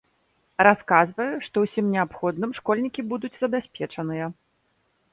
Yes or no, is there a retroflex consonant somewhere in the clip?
yes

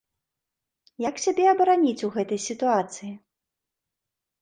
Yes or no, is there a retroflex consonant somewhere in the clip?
no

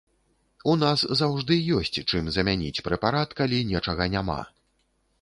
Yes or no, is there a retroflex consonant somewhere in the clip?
yes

